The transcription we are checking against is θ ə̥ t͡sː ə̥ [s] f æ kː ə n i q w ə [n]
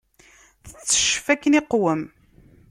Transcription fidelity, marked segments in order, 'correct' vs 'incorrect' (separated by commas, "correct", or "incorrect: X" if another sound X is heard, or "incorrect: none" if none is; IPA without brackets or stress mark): incorrect: ʃ, incorrect: m